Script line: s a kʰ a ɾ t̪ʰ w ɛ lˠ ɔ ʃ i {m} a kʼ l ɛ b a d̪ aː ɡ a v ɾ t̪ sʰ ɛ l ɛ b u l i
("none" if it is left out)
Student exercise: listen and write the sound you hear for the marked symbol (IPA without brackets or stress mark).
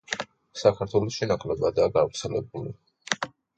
n